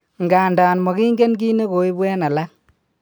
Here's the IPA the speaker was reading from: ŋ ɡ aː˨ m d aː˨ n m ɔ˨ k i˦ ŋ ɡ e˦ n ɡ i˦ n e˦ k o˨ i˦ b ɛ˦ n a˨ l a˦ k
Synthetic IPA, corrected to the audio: ŋ ɡ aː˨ n d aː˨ n m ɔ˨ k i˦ ŋ ɡ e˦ n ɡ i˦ n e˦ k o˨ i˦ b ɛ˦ n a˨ l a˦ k